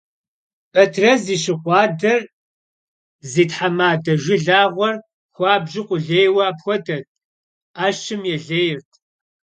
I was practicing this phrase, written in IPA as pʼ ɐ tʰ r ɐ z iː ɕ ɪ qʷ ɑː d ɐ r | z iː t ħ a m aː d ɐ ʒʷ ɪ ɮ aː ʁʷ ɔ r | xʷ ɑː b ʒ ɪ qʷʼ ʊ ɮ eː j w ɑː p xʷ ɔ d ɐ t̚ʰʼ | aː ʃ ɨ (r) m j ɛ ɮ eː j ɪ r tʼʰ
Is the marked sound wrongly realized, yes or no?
yes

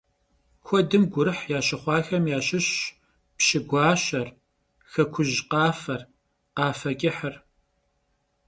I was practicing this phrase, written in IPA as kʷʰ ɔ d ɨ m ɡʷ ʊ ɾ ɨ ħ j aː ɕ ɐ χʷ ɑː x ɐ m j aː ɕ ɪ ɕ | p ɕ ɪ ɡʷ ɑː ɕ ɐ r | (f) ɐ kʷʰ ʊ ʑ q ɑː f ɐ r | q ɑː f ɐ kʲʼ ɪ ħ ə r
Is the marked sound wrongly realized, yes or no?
yes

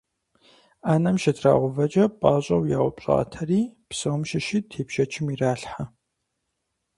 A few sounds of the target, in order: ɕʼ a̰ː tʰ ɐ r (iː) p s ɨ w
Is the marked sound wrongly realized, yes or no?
no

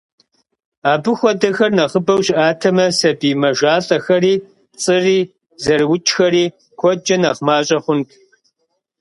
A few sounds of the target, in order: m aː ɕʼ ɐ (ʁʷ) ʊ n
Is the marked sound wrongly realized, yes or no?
yes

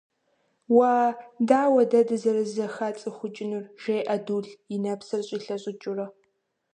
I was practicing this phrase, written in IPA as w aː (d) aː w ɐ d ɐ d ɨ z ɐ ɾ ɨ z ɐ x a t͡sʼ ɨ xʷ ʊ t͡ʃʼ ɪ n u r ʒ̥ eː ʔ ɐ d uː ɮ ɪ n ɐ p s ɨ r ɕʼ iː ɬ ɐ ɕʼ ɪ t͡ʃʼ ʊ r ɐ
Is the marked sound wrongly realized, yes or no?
no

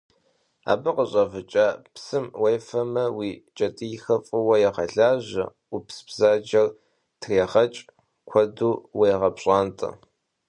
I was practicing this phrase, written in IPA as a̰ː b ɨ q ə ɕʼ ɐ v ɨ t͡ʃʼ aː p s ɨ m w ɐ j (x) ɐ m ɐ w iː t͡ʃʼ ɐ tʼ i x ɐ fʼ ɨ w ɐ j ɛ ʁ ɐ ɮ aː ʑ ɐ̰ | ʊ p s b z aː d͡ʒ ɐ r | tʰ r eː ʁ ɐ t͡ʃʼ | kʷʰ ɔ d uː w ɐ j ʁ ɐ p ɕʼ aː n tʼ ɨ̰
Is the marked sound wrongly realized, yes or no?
yes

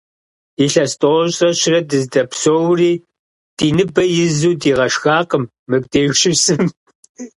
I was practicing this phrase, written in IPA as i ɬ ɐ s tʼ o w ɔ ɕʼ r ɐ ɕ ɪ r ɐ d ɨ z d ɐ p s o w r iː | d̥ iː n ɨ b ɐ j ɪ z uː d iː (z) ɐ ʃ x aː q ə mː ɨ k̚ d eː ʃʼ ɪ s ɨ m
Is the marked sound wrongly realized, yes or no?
yes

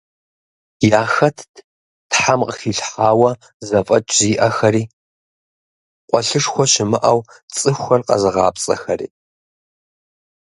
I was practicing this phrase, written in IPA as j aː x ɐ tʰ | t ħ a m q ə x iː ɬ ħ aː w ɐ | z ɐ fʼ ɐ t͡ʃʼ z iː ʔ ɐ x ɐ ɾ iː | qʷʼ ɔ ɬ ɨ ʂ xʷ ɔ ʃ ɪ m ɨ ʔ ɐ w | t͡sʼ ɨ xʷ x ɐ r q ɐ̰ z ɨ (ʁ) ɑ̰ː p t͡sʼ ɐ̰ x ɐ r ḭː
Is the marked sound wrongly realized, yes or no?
no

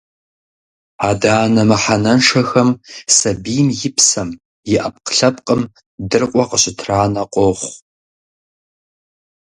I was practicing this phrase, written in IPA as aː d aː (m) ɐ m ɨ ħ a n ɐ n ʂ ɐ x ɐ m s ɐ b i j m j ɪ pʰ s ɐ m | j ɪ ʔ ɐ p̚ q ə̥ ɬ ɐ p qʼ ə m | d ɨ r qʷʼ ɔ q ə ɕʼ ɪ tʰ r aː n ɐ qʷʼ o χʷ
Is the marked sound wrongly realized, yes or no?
yes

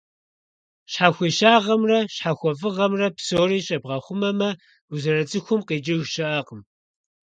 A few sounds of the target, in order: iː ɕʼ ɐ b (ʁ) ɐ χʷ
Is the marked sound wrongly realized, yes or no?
no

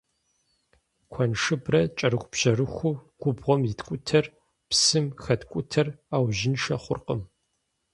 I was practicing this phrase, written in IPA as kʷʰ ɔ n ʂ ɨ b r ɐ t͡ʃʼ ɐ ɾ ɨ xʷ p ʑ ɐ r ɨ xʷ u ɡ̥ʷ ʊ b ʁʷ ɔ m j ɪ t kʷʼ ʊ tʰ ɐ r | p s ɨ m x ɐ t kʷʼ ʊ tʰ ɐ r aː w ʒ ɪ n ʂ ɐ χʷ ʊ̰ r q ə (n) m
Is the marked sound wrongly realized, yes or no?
yes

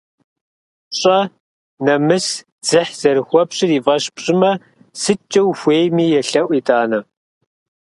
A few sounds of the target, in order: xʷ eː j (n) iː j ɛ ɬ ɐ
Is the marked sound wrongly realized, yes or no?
yes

